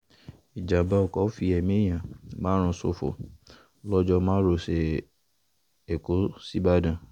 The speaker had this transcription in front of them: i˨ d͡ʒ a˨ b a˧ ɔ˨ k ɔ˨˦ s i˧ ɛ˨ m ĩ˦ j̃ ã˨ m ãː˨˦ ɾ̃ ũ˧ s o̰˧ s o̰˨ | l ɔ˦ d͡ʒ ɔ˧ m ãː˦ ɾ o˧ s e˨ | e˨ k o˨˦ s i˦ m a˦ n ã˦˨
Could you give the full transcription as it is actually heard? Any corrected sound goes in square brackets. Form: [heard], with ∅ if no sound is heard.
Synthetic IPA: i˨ d͡ʒ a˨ b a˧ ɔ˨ k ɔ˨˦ [f] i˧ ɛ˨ m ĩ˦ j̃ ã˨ m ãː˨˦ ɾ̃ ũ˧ s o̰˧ [f] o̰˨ | l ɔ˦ d͡ʒ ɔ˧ m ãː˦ ɾ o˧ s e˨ | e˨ k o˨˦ s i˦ [b] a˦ [d] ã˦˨